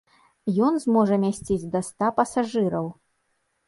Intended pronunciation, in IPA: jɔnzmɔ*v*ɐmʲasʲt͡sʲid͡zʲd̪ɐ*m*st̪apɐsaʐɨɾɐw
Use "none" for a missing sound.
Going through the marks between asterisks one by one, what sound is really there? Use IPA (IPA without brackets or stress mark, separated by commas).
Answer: ʐ, none